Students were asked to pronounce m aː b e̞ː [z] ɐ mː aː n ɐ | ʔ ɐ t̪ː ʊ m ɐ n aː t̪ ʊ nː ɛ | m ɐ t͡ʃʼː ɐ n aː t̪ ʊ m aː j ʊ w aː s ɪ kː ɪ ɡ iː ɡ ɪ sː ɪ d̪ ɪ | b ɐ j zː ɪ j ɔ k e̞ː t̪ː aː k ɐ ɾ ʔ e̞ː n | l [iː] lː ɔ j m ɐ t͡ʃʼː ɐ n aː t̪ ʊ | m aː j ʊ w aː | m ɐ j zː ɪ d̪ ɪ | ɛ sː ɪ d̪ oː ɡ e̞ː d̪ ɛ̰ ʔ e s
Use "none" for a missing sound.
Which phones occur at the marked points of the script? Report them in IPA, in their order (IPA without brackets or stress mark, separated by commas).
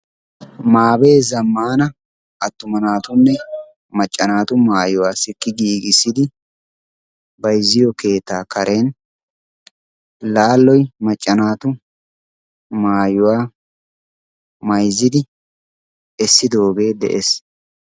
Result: z, aː